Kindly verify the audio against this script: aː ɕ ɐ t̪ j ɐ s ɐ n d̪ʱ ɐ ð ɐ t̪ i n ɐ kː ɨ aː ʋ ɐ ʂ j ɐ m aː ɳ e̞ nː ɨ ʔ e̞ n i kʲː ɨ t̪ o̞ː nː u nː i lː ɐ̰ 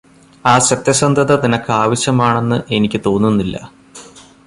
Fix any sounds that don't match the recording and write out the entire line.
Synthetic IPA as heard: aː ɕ ɐ t̪ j ɐ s ɐ n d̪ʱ ɐ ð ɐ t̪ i n ɐ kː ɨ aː ʋ ɐ ɕ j ɐ m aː ɳ e̞ nː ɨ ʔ e̞ n i kʲː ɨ t̪ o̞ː nː u nː i lː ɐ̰